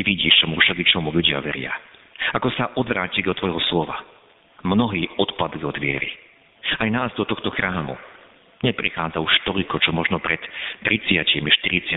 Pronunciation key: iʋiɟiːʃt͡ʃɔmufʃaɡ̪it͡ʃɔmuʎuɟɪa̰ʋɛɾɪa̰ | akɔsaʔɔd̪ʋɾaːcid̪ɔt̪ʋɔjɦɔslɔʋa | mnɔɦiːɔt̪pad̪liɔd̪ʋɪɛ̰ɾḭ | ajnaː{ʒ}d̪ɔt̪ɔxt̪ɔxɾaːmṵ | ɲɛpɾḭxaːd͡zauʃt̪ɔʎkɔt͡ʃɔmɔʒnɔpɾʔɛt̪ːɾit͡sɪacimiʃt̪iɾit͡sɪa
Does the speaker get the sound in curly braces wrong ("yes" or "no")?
yes